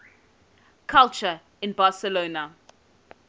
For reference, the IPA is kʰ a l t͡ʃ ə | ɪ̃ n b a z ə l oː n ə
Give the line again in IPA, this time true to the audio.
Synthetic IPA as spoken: kʰ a l t͡ʃ ə | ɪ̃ n b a s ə l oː n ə